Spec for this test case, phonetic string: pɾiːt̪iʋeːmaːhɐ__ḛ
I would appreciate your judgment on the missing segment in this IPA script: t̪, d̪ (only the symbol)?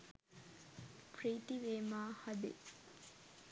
d̪